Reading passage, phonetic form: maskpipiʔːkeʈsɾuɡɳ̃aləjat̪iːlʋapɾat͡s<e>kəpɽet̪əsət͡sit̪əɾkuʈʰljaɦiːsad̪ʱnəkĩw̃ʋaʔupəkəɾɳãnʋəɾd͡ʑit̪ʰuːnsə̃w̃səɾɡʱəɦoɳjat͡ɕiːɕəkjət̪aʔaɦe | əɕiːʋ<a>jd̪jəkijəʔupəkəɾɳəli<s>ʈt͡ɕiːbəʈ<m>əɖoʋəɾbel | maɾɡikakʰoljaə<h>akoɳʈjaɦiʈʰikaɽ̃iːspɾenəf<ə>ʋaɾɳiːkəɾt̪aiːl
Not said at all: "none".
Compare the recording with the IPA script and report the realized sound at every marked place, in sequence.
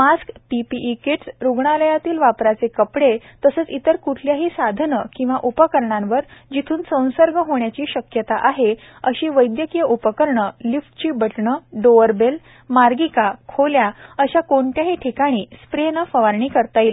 e, ə, f, ɳ, ɕ, ə

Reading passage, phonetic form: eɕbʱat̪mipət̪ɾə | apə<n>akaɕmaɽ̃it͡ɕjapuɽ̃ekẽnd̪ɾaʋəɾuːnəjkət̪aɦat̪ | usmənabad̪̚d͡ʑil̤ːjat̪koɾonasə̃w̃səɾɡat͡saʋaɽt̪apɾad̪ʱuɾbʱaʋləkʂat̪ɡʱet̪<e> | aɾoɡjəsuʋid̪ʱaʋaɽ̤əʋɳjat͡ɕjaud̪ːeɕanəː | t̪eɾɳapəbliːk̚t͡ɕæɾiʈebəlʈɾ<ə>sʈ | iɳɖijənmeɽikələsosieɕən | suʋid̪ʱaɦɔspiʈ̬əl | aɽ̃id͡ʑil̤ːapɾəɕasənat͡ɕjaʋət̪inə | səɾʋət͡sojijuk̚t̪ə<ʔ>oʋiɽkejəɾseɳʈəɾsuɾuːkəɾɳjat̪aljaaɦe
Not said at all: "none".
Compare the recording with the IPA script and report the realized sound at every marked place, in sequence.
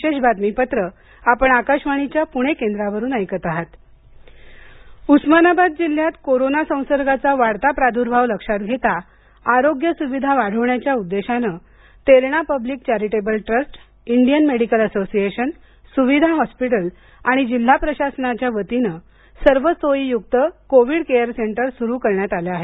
ɳ, a, ə, k

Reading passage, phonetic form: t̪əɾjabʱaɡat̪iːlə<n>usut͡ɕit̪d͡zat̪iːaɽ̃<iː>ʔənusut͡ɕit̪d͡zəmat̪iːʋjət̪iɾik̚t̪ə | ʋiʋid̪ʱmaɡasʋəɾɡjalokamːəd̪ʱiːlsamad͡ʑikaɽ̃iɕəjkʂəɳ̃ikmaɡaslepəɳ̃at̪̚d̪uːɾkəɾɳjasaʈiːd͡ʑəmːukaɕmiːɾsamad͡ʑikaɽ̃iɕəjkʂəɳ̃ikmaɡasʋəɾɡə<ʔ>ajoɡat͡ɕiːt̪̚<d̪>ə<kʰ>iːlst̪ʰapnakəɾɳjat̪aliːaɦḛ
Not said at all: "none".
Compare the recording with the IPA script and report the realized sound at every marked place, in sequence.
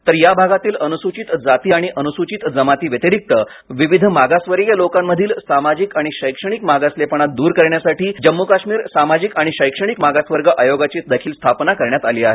n, i, ʔ, d̪, kʰ

